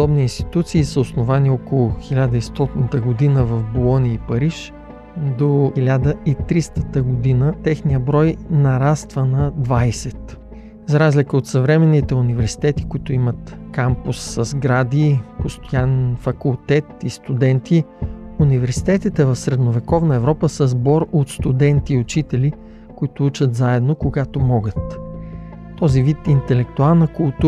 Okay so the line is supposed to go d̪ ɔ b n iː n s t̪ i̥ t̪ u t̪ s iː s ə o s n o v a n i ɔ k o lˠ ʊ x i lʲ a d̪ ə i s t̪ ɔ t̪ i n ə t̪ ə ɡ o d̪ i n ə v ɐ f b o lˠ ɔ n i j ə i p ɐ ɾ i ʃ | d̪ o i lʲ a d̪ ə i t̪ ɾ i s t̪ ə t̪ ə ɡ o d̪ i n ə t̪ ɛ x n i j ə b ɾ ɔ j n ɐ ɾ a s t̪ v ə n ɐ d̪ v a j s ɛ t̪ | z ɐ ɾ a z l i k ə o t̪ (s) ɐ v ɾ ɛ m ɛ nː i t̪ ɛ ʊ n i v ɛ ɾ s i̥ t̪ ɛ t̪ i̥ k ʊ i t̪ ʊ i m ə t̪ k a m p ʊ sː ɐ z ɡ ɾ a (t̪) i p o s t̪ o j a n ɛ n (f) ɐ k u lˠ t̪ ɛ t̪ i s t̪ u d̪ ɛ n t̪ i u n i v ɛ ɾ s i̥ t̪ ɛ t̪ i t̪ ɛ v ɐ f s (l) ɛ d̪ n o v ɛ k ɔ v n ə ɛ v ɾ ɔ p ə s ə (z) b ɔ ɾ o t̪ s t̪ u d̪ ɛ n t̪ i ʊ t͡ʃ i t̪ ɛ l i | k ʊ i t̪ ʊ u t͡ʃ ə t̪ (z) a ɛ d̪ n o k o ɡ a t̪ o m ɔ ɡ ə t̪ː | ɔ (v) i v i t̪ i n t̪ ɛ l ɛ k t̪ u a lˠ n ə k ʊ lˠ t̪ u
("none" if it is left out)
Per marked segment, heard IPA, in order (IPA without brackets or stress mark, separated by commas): s, d̪, f, ɾ, z, z, z